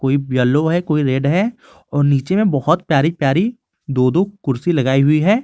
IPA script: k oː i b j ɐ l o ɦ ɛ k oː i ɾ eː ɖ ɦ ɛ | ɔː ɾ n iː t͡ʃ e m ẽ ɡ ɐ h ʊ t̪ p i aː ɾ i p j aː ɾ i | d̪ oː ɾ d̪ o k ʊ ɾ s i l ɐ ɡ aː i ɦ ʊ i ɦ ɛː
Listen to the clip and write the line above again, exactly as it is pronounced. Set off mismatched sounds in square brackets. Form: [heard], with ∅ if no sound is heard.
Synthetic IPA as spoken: k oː i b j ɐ l o ɦ ɛ k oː i ɾ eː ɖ ɦ ɛ | ɔː ɾ n iː t͡ʃ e m ẽ [b] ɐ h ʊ t̪ p [j] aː ɾ i p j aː ɾ i | d̪ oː [∅] d̪ o k ʊ ɾ s i l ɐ ɡ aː i ɦ ʊ i ɦ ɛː